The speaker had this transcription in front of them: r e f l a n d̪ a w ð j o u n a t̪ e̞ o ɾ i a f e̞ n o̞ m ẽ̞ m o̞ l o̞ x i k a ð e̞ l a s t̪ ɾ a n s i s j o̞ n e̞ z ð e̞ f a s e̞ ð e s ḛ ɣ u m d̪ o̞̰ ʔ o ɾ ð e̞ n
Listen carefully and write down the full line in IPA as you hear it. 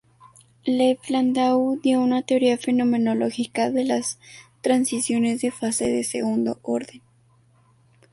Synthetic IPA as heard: l e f l a n d̪ a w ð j o u n a t̪ e̞ o ɾ i a f e̞ n o̞ m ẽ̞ n o̞ l o̞ x i k a ð e̞ l a s t̪ ɾ a n s i s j o̞ n e̞ z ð e̞ f a s e̞ ð e s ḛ ɣ u n d̪ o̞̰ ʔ o ɾ ð e̞ n